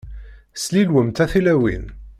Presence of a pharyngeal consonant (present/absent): absent